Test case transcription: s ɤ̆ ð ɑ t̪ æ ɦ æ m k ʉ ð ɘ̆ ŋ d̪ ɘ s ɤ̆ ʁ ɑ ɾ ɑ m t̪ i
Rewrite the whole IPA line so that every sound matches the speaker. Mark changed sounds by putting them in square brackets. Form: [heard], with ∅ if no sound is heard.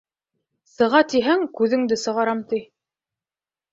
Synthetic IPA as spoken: s ɤ̆ [ʁ] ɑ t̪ [i] ɦ æ [ŋ] k ʉ ð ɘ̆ ŋ d̪ ɘ s ɤ̆ ʁ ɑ ɾ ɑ m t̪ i